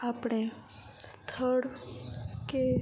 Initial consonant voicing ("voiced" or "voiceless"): voiceless